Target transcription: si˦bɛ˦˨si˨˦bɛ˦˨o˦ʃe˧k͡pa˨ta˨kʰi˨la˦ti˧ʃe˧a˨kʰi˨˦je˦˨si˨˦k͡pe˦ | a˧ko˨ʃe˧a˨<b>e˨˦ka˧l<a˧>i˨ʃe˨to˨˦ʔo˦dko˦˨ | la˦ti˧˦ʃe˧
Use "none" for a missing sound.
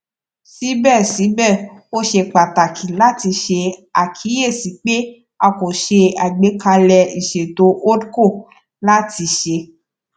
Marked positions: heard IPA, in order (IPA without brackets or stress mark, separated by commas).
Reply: ɡ͡b, ɛ˧